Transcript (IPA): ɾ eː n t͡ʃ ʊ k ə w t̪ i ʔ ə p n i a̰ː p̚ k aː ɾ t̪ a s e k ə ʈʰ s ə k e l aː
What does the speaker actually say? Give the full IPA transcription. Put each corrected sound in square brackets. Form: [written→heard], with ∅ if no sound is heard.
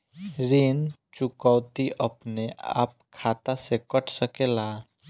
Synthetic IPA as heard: ɾ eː n t͡ʃ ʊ k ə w t̪ i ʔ ə p n [i→e] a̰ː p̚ [k→kʰ] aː [ɾ→∅] t̪ a s e k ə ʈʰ s ə k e l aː